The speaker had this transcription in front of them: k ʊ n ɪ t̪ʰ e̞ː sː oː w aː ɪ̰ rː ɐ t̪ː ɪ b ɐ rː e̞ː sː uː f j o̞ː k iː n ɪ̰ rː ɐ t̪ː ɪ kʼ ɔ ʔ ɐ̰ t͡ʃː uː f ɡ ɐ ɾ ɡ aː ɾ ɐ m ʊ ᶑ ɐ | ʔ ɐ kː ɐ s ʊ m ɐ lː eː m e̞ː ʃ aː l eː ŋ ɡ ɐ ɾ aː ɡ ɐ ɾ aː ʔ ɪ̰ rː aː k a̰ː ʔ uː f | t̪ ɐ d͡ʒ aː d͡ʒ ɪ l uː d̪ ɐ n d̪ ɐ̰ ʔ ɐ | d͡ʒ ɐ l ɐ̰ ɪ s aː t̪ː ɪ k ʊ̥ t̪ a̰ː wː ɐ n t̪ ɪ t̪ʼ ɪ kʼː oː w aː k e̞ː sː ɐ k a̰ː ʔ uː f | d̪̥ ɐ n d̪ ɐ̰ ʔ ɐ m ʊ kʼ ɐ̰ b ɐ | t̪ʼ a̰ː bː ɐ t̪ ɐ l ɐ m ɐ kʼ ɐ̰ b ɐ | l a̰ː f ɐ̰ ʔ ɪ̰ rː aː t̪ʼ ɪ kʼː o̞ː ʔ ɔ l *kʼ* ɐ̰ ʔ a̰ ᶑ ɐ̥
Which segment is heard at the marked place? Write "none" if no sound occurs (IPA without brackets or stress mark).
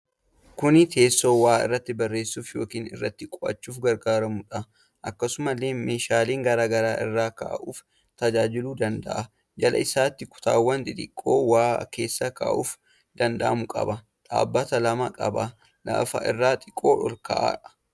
k